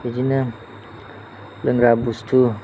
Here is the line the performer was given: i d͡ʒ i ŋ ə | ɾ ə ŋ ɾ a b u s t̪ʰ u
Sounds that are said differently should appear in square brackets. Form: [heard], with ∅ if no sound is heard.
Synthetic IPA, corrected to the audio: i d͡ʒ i [n] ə | [l] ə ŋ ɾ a b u s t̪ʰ u